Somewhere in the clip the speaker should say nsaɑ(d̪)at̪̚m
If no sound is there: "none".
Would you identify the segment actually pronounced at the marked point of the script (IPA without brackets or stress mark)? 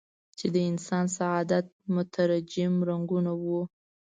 d̪